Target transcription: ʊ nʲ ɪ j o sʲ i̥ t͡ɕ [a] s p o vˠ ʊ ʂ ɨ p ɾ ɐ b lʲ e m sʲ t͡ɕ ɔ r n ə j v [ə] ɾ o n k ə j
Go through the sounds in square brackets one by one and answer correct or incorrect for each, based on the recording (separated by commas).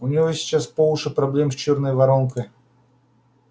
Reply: correct, incorrect